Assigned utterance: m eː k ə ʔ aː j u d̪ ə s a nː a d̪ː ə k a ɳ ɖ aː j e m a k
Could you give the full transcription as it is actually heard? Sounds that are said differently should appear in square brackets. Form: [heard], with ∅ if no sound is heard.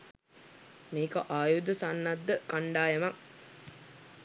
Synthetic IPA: m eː k ə ʔ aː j u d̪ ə s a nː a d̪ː ə k a ɳ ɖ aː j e m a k